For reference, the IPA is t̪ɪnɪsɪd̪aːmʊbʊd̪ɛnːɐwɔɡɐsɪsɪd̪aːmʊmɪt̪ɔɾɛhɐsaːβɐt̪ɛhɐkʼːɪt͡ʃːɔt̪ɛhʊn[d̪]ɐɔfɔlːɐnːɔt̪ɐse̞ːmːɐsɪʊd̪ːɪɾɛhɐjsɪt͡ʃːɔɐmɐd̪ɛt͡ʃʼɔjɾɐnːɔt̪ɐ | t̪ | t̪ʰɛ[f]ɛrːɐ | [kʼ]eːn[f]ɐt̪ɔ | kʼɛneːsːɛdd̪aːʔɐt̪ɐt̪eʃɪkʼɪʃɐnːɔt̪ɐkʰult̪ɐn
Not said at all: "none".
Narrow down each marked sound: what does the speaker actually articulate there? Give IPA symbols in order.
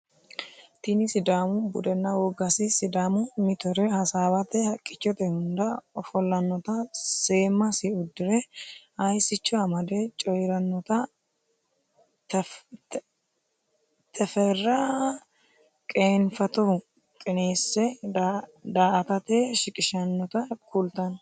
d̪, f, kʼ, f

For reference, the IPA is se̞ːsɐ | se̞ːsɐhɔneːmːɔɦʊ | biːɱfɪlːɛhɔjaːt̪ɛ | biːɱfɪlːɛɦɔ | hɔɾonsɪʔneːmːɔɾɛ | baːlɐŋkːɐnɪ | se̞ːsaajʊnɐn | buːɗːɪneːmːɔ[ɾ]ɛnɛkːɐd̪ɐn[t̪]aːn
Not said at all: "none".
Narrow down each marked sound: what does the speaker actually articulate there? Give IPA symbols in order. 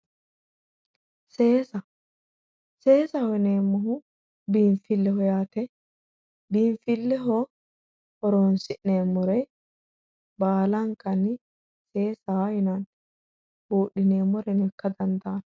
ɾ, d̪

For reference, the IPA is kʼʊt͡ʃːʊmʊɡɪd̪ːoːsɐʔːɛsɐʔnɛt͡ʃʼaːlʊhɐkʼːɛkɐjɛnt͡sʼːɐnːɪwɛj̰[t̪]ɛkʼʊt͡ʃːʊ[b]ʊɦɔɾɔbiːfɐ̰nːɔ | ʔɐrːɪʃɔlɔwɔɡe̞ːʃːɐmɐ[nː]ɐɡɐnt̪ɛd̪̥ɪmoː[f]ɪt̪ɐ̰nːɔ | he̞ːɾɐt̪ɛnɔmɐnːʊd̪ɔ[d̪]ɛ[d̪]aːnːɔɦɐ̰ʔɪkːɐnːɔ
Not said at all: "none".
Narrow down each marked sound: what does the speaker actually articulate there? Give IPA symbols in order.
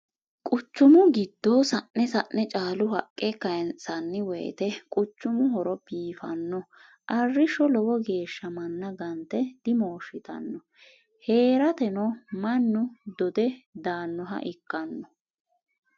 t̪, m, nː, ʃ, d̪, d̪

